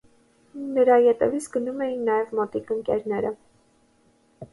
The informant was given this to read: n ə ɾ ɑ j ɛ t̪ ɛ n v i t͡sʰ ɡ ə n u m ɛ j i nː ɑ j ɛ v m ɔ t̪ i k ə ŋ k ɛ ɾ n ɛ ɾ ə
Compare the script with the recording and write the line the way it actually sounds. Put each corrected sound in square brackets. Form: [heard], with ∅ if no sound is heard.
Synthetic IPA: n ə ɾ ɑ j ɛ t̪ ɛ [∅] v i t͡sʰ ɡ ə n u m ɛ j i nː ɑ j ɛ v m ɔ t̪ i k ə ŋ k ɛ ɾ n ɛ ɾ ə